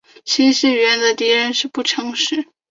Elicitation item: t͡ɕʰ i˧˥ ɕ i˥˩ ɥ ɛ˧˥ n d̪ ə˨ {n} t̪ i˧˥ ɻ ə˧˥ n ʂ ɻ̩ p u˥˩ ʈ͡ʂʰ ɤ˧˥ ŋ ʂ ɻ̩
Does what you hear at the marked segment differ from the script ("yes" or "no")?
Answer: yes